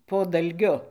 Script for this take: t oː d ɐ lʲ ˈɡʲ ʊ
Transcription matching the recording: p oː d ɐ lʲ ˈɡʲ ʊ